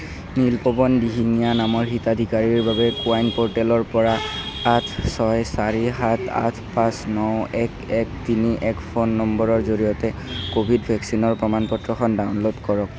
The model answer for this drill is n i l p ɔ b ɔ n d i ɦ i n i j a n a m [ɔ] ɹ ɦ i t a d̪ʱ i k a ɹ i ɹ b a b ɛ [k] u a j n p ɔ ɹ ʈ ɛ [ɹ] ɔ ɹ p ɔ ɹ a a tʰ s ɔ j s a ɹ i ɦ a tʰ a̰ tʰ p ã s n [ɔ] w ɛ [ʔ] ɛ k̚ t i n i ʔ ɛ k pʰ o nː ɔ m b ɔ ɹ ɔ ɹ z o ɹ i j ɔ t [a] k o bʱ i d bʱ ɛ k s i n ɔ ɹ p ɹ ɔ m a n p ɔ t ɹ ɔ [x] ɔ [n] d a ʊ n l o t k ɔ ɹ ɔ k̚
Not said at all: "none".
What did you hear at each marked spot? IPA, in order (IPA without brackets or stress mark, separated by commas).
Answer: ɔ, k, l, ɔ, k, ɛ, x, n